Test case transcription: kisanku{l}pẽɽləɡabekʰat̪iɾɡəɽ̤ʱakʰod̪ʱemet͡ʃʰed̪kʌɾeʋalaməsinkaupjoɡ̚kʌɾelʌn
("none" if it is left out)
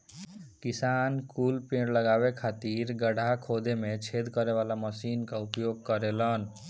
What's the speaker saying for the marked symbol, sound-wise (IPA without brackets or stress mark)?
l